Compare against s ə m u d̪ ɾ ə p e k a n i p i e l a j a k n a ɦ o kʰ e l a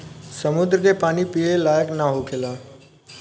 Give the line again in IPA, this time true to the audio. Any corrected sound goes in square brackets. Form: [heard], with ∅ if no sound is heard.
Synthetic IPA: s ə m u d̪ ɾ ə [k] e [p] a n i p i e l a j [ə] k n a ɦ o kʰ e l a